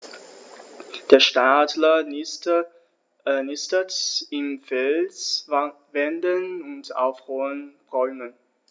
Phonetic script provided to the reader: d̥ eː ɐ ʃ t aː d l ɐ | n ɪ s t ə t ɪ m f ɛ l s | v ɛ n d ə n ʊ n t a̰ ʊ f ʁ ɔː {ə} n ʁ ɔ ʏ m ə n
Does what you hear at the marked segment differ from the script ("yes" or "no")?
no